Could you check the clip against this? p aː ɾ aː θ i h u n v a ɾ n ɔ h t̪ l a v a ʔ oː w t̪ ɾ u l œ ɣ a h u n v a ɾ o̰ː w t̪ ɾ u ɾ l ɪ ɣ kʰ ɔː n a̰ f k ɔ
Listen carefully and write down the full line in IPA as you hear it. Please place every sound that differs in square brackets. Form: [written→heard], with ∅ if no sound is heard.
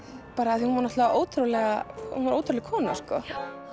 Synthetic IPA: p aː ɾ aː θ i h u n v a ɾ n ɔ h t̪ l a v a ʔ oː w t̪ ɾ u l [œ→ɛ] ɣ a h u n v a ɾ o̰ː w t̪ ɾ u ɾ l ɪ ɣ kʰ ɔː n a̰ [f→s] k ɔ